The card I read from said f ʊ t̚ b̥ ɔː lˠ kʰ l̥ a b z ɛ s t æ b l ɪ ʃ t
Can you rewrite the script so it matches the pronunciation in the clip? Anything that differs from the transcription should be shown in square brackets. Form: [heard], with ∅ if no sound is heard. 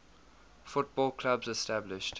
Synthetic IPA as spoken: f ʊ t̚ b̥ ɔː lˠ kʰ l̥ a b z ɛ s t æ b l ɪ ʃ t